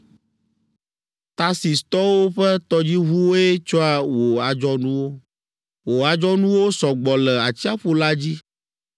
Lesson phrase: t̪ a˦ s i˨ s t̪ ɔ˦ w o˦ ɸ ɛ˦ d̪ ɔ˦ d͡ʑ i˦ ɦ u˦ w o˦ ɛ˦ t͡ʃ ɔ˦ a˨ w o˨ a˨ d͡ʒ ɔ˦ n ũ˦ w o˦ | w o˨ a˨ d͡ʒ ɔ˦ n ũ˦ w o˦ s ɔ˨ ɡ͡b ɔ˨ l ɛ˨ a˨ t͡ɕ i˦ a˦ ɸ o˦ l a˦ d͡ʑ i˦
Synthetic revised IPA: t̪ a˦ s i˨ s t̪ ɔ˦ w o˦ ɸ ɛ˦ t̪ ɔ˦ d͡ʑ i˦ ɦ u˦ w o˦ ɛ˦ t͡ʃ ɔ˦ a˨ w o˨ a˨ d͡ʒ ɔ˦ n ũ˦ w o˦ | w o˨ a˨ d͡ʒ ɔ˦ n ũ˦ w o˦ s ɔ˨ ɡ͡b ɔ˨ l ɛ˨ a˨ t͡ɕ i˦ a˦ ɸ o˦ l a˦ d͡ʑ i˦